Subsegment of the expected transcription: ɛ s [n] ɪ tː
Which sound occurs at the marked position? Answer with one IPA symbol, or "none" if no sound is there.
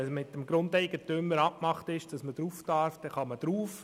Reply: m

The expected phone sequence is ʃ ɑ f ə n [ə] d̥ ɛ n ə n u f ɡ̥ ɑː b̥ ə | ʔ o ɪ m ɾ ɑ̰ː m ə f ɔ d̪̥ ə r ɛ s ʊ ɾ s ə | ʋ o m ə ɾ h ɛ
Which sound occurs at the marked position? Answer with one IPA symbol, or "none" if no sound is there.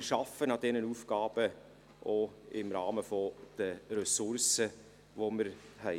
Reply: ɑ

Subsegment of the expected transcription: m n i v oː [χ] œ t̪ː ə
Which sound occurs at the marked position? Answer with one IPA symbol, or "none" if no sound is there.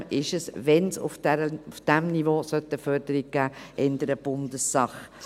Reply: s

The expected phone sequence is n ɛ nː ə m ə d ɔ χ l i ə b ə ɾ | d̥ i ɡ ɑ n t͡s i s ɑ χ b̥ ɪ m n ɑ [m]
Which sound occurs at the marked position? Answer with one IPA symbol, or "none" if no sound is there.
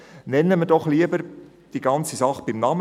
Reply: m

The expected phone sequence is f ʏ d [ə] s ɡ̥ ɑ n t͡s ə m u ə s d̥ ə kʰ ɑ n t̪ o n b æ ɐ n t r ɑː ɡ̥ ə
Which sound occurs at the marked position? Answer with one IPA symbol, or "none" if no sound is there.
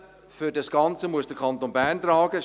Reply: ɑ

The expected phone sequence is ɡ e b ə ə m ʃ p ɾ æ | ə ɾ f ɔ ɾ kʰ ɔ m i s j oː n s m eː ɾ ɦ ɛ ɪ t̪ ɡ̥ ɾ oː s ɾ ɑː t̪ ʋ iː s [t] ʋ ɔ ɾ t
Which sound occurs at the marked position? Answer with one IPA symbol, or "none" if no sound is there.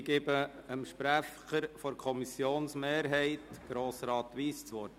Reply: t͡s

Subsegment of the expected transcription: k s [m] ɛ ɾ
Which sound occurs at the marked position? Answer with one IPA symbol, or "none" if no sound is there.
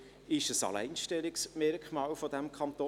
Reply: m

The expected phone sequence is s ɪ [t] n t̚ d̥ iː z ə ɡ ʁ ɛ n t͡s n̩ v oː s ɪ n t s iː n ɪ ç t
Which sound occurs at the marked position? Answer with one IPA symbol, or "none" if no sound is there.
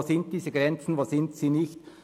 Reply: none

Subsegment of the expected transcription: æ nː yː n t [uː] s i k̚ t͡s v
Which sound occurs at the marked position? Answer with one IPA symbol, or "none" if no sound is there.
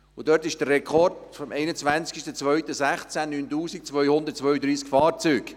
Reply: uː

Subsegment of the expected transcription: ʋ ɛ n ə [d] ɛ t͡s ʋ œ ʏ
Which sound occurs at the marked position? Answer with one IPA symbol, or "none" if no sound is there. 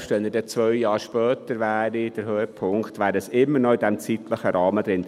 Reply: d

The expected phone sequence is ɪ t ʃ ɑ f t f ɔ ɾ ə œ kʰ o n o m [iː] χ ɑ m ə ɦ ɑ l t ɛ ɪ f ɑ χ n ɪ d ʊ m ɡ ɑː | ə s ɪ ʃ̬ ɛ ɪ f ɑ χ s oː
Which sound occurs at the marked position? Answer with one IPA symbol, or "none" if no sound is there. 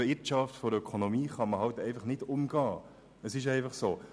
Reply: iː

